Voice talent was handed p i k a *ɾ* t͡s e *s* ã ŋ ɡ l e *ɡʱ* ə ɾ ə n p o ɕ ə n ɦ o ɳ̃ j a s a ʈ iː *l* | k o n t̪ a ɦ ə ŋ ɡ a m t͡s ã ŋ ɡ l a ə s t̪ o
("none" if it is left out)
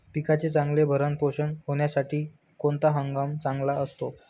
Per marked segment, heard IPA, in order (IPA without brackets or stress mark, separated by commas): none, t͡s, bʱ, none